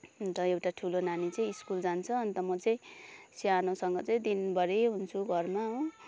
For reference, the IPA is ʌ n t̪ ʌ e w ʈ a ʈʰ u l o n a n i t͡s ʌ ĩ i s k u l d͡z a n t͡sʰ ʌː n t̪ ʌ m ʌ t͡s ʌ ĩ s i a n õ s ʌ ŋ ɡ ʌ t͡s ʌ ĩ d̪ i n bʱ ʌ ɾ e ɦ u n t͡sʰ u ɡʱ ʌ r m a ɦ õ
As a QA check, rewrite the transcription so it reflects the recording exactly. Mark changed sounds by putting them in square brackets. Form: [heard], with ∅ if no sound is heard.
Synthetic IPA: ʌ n t̪ ʌ e w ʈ a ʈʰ u l o n a n i t͡s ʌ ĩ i s k u l d͡z a n t͡sʰ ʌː n t̪ ʌ m ʌ t͡s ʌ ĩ s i a n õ s ʌ ŋ ɡ ʌ t͡s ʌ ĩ d̪ i n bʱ ʌ ɾ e ɦ u n t͡sʰ u ɡʱ ʌ r m a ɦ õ